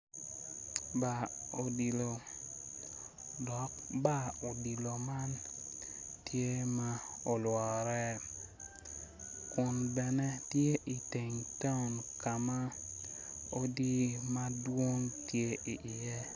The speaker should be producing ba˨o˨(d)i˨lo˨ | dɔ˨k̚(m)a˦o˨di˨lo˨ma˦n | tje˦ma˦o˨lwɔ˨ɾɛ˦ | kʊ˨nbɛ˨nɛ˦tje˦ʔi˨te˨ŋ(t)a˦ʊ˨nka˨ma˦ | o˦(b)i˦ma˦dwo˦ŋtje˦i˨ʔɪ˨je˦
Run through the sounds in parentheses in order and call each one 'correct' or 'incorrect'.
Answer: correct, incorrect, correct, incorrect

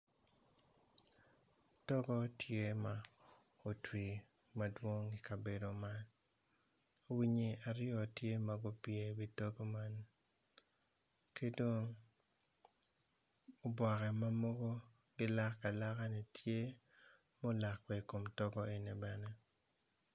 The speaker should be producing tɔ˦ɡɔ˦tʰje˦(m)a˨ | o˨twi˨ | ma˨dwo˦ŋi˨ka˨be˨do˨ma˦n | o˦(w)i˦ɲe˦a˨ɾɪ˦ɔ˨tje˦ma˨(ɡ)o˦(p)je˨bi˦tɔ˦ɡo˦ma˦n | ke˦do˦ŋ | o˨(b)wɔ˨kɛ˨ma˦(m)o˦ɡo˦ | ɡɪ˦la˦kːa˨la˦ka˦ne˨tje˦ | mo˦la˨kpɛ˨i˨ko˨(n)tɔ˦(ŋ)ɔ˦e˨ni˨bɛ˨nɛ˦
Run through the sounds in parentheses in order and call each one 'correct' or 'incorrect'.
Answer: correct, correct, correct, correct, correct, correct, incorrect, incorrect

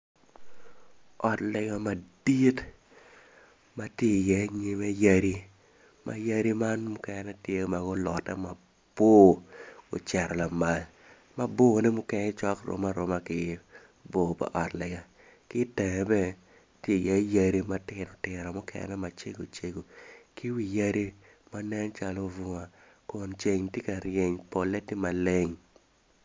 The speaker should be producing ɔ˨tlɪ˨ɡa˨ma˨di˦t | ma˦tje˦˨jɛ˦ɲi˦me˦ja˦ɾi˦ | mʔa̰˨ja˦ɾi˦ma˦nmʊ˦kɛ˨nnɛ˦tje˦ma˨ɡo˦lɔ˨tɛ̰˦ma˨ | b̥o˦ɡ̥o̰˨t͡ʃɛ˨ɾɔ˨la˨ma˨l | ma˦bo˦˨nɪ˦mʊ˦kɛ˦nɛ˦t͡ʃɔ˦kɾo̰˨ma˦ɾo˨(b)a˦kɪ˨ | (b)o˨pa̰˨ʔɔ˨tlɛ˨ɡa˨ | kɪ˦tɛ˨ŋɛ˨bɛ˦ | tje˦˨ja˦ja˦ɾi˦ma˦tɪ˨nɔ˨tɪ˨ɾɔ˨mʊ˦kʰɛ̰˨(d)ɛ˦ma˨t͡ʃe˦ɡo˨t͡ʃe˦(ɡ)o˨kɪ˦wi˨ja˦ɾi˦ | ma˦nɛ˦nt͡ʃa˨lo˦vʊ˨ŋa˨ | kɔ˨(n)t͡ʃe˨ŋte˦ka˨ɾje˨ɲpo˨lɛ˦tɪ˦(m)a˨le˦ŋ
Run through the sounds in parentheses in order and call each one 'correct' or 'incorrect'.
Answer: incorrect, correct, incorrect, correct, correct, correct

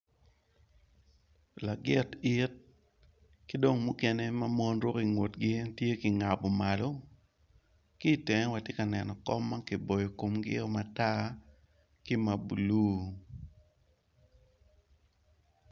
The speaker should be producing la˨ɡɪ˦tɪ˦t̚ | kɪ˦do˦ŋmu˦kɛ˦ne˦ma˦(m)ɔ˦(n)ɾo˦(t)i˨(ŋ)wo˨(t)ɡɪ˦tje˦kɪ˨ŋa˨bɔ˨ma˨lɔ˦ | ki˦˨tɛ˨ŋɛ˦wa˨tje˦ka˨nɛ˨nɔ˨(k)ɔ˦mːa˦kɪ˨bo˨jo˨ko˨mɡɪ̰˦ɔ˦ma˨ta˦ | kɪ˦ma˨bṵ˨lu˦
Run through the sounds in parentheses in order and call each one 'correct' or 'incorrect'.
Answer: correct, correct, incorrect, correct, correct, correct

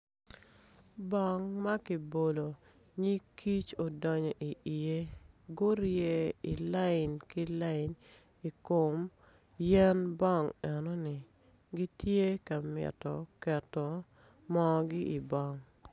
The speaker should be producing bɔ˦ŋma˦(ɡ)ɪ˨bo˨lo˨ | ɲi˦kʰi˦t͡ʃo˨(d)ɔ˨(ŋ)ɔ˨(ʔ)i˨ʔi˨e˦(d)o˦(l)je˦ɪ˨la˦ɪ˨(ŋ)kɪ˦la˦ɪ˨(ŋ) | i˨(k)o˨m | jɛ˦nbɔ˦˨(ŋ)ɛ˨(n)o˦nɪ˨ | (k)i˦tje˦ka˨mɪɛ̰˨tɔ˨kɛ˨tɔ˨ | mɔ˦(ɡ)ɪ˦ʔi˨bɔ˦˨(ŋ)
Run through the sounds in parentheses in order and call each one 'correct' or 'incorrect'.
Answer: incorrect, correct, incorrect, correct, incorrect, incorrect, incorrect, incorrect, correct, correct, correct, incorrect, correct, correct

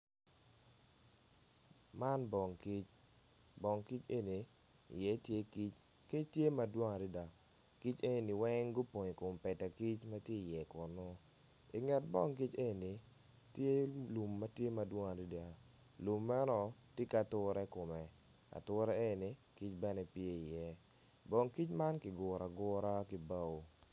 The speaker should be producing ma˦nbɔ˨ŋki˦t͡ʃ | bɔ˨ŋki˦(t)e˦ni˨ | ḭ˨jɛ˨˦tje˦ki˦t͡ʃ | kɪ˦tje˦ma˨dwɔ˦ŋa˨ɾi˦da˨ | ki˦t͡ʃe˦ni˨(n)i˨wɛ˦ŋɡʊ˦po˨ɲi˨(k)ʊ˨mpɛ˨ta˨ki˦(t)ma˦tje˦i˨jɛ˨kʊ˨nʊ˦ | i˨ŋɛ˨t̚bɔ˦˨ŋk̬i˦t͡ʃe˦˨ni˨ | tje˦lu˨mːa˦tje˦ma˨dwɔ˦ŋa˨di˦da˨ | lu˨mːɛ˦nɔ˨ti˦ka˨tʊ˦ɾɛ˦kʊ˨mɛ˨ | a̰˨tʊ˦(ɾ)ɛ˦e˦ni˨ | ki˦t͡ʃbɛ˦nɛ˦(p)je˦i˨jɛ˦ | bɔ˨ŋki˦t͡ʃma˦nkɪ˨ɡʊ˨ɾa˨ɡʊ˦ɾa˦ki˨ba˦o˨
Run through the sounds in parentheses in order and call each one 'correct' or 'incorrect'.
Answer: incorrect, correct, correct, incorrect, correct, correct

